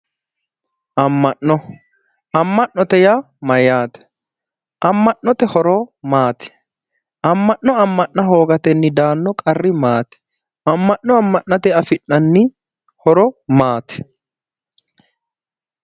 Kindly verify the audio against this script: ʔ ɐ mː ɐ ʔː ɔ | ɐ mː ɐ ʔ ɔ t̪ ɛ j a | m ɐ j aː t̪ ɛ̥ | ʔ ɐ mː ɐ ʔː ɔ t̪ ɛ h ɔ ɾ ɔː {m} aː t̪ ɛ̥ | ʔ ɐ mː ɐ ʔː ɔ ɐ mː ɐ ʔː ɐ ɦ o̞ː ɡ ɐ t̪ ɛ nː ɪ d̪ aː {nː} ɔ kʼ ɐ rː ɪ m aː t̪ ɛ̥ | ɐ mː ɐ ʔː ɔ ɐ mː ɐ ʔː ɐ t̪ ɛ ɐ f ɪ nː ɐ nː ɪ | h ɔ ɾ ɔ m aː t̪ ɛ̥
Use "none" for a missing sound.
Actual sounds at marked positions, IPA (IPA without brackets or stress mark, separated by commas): m, nː